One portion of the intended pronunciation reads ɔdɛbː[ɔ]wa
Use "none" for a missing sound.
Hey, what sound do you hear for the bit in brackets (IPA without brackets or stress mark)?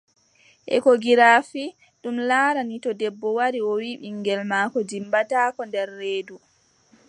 ɔ